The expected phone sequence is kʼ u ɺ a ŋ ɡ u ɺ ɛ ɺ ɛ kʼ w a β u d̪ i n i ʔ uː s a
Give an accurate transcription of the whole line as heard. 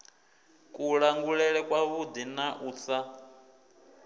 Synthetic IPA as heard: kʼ u ɺ a ŋ ɡ u ɺ ɛ ɺ ɛ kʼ w a β u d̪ i n a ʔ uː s a